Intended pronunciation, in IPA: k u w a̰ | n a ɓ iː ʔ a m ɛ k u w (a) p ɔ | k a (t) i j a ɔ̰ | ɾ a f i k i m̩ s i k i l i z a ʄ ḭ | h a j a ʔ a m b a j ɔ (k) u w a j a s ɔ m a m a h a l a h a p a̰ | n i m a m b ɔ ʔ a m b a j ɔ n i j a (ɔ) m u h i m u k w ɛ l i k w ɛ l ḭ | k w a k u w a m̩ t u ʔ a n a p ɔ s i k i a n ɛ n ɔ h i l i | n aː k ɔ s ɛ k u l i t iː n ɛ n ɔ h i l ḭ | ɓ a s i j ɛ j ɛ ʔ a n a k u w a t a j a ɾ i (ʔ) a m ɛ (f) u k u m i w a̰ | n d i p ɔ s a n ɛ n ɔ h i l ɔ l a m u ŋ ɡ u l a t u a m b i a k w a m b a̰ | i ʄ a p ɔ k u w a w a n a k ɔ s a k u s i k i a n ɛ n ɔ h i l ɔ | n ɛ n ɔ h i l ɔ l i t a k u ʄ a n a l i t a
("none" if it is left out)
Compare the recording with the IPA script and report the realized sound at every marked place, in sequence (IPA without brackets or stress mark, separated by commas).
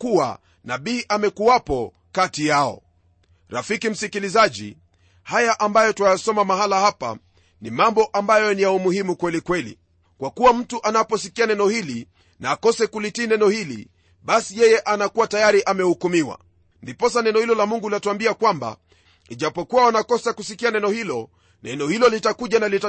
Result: a, t, t, u, ʔ, h